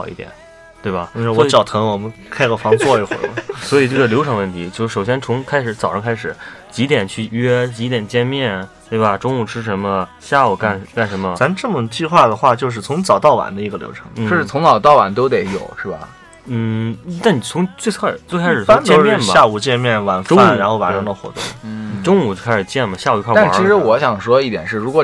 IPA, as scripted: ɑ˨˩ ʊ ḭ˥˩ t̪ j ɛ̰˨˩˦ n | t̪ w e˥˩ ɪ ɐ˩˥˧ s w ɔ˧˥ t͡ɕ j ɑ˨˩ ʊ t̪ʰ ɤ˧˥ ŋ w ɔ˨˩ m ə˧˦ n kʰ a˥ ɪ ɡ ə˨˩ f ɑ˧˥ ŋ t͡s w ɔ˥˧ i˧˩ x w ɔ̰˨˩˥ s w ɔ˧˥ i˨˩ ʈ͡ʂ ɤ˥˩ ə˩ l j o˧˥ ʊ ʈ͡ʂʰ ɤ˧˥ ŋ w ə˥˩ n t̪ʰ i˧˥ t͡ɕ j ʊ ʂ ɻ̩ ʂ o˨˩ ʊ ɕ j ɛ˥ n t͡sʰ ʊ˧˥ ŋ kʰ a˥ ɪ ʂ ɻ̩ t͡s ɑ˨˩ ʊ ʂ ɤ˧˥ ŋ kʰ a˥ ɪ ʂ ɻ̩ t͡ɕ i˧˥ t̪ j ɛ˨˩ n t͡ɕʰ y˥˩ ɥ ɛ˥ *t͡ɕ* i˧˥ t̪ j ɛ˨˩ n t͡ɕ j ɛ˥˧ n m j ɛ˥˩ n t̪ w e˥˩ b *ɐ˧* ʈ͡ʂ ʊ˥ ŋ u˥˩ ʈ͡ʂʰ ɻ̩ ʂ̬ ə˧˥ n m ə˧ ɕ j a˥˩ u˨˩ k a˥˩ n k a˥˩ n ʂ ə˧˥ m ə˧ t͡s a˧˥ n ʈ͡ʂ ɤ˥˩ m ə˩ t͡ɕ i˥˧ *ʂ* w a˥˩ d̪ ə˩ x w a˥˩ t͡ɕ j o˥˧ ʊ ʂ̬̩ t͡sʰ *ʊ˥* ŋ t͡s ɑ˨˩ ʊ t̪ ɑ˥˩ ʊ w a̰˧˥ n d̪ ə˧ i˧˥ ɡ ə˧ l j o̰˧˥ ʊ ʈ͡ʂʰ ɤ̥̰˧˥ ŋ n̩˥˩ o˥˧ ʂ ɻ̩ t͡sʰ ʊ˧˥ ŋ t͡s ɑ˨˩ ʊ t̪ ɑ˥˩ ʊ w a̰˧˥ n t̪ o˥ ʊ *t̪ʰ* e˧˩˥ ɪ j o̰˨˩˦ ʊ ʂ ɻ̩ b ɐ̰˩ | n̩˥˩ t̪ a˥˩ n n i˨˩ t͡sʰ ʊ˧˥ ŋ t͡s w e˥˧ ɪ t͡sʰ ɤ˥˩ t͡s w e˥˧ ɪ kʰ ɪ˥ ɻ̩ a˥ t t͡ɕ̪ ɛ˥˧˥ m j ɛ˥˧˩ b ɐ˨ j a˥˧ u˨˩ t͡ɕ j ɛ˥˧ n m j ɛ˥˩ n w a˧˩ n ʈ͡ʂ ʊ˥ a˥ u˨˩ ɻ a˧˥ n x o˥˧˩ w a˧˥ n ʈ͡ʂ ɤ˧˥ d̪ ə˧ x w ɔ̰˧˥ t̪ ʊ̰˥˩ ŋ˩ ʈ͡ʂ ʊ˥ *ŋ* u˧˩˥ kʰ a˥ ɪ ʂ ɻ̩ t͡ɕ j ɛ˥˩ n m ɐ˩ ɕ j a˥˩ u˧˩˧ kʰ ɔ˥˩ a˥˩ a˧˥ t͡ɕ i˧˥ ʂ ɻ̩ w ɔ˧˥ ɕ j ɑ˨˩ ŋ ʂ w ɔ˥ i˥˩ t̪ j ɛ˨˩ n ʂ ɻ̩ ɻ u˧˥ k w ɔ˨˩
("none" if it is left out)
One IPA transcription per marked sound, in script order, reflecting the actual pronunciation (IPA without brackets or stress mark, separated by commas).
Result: t͡ɕ, ɐ˩, x, ʊ˧˥, t̪, ŋ